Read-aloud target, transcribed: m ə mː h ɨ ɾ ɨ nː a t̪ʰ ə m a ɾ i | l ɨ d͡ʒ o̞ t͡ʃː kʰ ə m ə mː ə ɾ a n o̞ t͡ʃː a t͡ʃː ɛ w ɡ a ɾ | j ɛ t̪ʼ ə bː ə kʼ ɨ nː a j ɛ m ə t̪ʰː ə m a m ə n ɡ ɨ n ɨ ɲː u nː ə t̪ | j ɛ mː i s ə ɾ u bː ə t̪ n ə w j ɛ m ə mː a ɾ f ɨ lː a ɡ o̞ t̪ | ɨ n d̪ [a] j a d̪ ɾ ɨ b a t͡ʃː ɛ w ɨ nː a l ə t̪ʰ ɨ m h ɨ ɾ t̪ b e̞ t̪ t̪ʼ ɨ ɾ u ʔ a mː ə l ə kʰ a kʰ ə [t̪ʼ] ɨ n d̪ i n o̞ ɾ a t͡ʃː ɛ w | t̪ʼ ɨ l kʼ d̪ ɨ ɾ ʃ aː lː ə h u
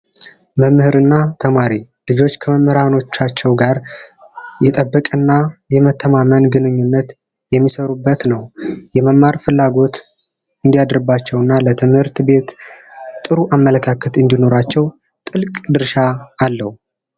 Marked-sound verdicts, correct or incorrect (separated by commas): incorrect, incorrect